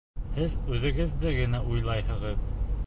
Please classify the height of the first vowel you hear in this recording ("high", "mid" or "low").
mid